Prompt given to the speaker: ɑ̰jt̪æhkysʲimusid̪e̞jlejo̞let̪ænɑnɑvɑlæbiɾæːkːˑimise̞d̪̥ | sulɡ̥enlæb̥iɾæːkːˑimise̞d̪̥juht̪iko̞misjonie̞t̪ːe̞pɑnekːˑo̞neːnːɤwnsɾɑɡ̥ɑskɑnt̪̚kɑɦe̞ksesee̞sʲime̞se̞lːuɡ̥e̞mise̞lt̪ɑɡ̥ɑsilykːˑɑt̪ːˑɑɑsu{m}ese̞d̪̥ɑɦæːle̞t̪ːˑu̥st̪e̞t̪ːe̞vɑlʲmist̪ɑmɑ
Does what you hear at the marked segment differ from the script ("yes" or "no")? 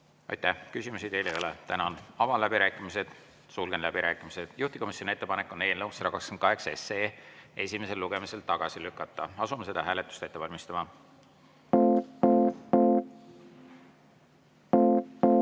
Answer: no